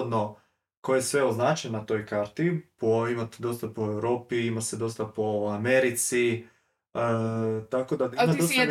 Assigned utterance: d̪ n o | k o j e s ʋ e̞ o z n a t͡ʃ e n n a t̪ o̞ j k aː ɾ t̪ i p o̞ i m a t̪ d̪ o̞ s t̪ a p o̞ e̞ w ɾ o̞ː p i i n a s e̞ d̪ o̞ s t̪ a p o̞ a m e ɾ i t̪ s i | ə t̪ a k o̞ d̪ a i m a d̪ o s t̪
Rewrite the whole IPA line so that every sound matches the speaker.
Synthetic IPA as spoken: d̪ n o | k o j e s ʋ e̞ o z n a t͡ʃ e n n a t̪ o̞ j k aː ɾ t̪ i p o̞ i m a t̪ d̪ o̞ s t̪ a p o̞ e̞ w ɾ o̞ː p i i m a s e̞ d̪ o̞ s t̪ a p o̞ a m e ɾ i t̪ s i | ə t̪ a k o̞ d̪ a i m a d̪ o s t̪